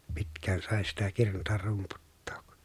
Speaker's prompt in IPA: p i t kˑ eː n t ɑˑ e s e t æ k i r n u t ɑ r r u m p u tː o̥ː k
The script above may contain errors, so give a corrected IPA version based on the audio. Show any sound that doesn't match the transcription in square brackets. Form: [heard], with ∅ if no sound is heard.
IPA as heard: p i t kˑ [æː] n [s] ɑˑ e s [i] t æ k i r n u t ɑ r r u m p u tː o̥ː k